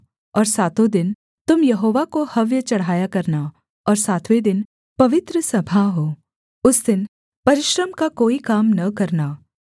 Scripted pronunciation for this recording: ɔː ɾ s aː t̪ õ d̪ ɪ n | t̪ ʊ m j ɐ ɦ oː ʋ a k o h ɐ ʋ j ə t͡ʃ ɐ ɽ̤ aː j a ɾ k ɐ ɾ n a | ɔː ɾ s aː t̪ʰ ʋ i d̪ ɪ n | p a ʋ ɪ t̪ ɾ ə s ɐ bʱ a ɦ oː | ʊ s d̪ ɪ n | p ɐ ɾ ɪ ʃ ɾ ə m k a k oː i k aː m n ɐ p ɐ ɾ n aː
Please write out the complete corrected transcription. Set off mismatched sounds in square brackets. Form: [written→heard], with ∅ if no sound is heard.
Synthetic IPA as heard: ɔː ɾ s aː t̪ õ d̪ ɪ n | t̪ ʊ m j ɐ ɦ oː ʋ a k o h ɐ ʋ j ə t͡ʃ ɐ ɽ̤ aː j a [ɾ→∅] k ɐ ɾ n a | ɔː ɾ s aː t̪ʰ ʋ [i→e] d̪ ɪ n | p [a→ɐ] ʋ ɪ t̪ ɾ ə s ɐ bʱ a ɦ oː | ʊ s d̪ ɪ n | p ɐ ɾ ɪ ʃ ɾ ə m k a k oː i k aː m n ɐ [p→k] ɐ ɾ n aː